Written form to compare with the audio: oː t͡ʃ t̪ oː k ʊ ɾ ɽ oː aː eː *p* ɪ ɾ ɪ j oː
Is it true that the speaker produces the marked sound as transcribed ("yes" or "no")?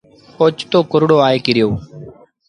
no